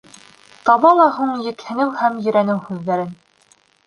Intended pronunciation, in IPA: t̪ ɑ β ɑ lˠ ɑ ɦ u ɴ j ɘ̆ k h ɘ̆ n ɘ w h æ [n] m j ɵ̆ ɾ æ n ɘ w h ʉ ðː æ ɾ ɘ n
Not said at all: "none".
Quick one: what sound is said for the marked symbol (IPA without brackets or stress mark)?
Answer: none